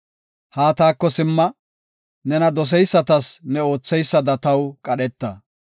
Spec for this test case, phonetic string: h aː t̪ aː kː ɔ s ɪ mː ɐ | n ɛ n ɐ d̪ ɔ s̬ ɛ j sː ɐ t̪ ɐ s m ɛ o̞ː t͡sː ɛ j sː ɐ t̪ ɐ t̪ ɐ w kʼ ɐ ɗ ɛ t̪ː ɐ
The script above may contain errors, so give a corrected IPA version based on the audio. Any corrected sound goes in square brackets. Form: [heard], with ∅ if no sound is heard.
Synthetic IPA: h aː t̪ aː kː ɔ s ɪ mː ɐ | n ɛ n ɐ d̪ ɔ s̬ ɛ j sː ɐ t̪ ɐ s [n] ɛ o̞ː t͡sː ɛ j sː ɐ [d̪] ɐ t̪ ɐ w kʼ ɐ ɗ ɛ t̪ː ɐ

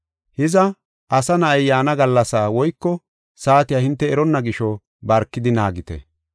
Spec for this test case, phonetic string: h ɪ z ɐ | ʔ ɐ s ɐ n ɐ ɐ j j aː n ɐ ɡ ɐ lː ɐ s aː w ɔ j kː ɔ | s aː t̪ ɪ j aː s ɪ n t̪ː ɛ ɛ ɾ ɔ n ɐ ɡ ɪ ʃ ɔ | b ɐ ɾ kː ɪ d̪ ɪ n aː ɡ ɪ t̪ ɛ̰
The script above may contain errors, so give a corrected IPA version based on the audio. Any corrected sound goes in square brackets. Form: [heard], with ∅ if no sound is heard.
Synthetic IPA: h ɪ z ɐ | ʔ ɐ s ɐ n ɐ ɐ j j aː n ɐ ɡ ɐ lː ɐ s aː w ɔ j kː ɔ | s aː t̪ ɪ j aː [h] ɪ n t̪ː ɛ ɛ ɾ ɔ [nː] ɐ ɡ ɪ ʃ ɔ | b ɐ ɾ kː ɪ d̪ ɪ n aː ɡ ɪ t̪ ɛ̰

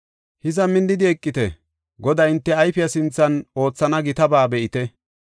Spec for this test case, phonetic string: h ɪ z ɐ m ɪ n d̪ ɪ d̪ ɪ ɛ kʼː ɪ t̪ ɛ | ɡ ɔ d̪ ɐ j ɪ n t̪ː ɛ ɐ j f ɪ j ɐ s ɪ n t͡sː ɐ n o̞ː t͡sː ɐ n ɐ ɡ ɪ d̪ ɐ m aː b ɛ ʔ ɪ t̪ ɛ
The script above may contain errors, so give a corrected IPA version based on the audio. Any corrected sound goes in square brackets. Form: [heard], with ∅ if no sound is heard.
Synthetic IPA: h ɪ z ɐ m ɪ n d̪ ɪ d̪ ɪ ɛ kʼː ɪ t̪ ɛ | ɡ ɔ d̪ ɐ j ɪ n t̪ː ɛ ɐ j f ɪ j ɐ s ɪ n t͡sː ɐ n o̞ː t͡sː ɐ n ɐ ɡ ɪ [t̪] ɐ [b] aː b ɛ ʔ ɪ t̪ ɛ

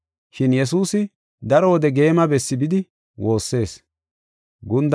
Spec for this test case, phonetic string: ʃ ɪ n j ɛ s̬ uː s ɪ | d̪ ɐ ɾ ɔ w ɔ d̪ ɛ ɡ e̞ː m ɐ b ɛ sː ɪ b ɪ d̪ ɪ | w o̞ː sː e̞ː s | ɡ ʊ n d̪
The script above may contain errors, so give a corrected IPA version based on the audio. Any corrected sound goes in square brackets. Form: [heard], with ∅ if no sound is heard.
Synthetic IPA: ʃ ɪ n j ɛ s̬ uː s ɪ | d̪ ɐ ɾ ɔ w ɔ d̪ ɛ ɡ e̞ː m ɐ b ɛ sː ɪ b ɪ d̪ ɪ | w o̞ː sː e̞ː s | ɡ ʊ n d̪

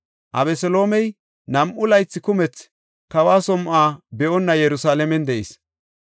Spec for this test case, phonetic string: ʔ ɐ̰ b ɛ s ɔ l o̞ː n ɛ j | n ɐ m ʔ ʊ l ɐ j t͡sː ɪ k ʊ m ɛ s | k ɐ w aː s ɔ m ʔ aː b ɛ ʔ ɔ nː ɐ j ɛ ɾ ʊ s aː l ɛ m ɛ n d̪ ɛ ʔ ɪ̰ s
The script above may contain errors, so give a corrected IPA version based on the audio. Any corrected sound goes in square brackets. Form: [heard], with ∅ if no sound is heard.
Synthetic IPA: ʔ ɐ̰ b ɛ s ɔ l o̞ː [m] ɛ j | n ɐ m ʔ ʊ l ɐ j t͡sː ɪ k ʊ m ɛ [t͡s] | k ɐ w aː s ɔ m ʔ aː b ɛ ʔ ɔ nː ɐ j ɛ ɾ ʊ s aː l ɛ m ɛ n d̪ ɛ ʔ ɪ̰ s

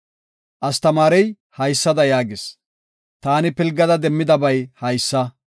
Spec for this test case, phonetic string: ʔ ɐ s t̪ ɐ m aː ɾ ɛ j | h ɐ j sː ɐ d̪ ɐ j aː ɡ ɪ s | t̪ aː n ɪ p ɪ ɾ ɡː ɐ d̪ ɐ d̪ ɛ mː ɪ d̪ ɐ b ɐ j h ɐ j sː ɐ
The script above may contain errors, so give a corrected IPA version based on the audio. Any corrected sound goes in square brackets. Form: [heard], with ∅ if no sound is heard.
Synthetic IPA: ʔ ɐ s t̪ ɐ m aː ɾ ɛ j | h ɐ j sː ɐ d̪ ɐ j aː ɡ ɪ s | t̪ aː n ɪ p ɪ [l] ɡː ɐ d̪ ɐ d̪ ɛ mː ɪ d̪ ɐ b ɐ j h ɐ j sː ɐ

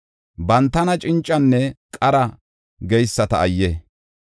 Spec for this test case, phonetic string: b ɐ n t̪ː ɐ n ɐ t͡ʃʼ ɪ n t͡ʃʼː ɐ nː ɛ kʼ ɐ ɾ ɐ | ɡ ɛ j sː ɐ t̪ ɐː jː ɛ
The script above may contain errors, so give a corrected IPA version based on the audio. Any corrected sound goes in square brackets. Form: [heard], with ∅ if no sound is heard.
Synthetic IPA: b ɐ n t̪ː ɐ n ɐ t͡ʃʼ ɪ n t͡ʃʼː ɐ nː ɛ kʼ ɐ ɾ ɐ | ɡ ɛ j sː ɐ t̪ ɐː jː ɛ

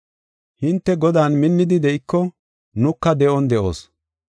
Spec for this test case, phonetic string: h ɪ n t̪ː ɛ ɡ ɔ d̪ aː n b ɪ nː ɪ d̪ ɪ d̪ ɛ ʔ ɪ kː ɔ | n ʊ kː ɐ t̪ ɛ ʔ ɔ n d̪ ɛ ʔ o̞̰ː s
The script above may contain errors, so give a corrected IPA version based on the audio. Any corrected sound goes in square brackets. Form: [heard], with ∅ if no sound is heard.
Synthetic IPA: h ɪ n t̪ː ɛ ɡ ɔ d̪ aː n [m] ɪ nː ɪ d̪ ɪ d̪ ɛ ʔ ɪ kː ɔ | n ʊ kː ɐ [d̪] ɛ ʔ ɔ n d̪ ɛ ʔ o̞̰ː s

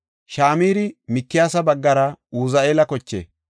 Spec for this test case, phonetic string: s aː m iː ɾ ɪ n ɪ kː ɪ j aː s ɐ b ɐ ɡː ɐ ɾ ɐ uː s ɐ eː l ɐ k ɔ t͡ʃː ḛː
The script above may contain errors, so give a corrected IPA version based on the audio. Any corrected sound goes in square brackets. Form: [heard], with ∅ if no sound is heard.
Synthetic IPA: [ʃ] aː m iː ɾ ɪ [m] ɪ kː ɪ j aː s ɐ b ɐ ɡː ɐ ɾ ɐ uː [z] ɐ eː l ɐ k ɔ t͡ʃː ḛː

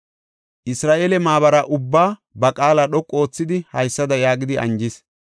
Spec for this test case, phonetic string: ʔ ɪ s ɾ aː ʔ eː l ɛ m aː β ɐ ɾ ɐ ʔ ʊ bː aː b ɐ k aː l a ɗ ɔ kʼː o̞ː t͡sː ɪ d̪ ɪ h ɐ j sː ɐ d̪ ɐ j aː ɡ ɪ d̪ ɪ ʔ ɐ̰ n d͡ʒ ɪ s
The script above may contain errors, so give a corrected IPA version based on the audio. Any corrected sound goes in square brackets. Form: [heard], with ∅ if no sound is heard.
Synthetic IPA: ʔ ɪ s ɾ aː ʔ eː l ɛ m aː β ɐ ɾ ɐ ʔ ʊ bː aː b ɐ [kʼ] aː l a ɗ ɔ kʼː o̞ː t͡sː ɪ d̪ ɪ h ɐ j sː ɐ d̪ ɐ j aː ɡ ɪ d̪ ɪ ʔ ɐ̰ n d͡ʒ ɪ s

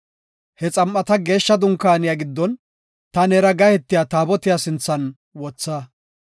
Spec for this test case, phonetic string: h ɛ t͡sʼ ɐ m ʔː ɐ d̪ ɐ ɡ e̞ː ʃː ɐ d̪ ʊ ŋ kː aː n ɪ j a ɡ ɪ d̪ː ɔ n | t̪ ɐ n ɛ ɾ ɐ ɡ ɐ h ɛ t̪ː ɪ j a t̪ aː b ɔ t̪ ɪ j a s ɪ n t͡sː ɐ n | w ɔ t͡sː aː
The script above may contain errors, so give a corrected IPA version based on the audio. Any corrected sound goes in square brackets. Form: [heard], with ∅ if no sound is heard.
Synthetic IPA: h ɛ t͡sʼ ɐ m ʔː ɐ [t̪] ɐ ɡ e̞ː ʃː ɐ d̪ ʊ ŋ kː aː n ɪ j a ɡ ɪ d̪ː ɔ n | t̪ ɐ n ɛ ɾ ɐ ɡ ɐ h ɛ t̪ː ɪ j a t̪ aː b ɔ t̪ ɪ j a s ɪ n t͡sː ɐ n | w ɔ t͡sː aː

